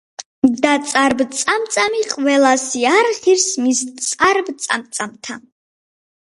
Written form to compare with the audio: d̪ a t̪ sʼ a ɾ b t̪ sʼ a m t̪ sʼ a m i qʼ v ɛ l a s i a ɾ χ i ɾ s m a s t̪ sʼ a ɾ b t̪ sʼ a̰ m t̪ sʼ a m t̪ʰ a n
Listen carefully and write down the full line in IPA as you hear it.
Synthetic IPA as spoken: d̪ a t̪ sʼ a ɾ b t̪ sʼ a m t̪ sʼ a m i qʼ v ɛ l a s i a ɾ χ i ɾ s m i s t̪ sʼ a ɾ b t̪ sʼ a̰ m t̪ sʼ a m t̪ʰ a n